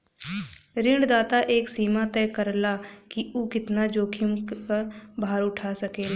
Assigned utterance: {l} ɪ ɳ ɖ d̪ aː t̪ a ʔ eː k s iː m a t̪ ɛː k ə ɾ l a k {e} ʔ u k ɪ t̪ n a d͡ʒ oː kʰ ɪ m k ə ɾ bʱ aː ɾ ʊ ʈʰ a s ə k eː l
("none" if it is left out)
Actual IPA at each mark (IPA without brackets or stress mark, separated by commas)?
ɾ, i